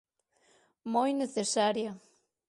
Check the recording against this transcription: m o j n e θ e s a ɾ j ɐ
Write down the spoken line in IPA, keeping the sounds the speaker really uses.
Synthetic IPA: m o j n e θ e s a ɾ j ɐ